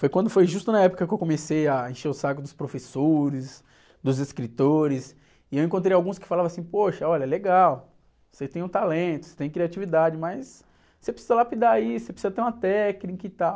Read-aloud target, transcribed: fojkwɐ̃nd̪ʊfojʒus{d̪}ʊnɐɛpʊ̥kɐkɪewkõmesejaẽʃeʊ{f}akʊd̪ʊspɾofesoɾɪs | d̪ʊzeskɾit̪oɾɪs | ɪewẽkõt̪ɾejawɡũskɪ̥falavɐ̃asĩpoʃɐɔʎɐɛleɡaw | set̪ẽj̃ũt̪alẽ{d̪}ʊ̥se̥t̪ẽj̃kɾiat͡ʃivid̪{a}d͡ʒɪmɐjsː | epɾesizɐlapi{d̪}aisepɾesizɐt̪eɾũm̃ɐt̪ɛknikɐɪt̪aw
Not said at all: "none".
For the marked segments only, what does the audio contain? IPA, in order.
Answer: t̪, s, t̪, a, d̪

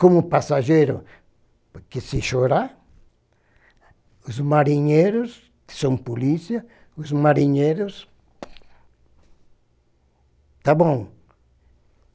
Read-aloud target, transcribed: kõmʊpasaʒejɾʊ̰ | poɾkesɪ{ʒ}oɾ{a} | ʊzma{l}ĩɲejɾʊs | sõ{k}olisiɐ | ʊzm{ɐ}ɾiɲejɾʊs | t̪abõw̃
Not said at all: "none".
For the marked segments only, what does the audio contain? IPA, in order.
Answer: ʃ, a, ɾ, p, a

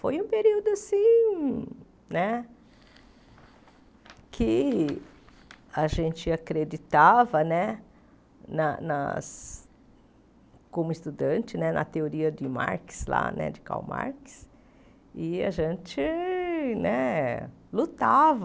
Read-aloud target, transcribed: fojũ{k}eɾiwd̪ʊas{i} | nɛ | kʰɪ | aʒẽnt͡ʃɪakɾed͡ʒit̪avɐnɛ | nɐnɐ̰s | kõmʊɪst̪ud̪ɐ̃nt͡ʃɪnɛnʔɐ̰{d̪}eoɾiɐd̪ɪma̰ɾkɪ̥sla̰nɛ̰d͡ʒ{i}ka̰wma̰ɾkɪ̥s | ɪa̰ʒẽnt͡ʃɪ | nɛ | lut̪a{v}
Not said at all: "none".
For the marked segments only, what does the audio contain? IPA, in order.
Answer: p, ĩ, t̪, ɪ, v

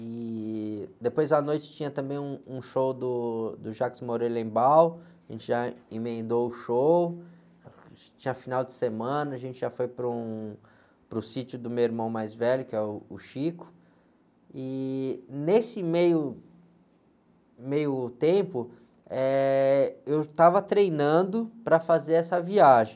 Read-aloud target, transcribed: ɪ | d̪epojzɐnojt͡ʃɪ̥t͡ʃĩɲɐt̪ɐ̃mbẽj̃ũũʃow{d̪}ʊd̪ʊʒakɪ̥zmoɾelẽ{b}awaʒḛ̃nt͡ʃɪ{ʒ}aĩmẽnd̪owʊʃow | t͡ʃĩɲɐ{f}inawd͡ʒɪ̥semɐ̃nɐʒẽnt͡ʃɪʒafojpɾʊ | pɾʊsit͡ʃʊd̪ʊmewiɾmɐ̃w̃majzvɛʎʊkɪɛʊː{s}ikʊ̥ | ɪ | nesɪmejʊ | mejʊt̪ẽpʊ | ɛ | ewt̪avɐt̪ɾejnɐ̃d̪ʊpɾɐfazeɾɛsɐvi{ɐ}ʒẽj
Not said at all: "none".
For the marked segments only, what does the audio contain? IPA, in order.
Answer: d̪, b, ʒ, f, ʃ, a

